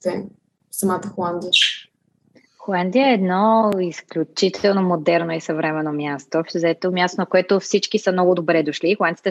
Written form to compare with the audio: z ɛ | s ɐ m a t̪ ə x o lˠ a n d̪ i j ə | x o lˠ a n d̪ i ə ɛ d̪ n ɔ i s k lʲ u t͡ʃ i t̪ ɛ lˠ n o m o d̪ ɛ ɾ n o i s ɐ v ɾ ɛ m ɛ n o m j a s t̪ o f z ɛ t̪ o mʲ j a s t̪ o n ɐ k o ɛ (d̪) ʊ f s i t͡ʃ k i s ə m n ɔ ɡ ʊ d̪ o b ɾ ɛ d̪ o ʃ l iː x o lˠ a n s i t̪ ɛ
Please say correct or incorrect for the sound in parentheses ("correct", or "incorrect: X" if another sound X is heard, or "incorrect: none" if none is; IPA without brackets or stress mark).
incorrect: t̪